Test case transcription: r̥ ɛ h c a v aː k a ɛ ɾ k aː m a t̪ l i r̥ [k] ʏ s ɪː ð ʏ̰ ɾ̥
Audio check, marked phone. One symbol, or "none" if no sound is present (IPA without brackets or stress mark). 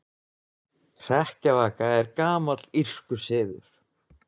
k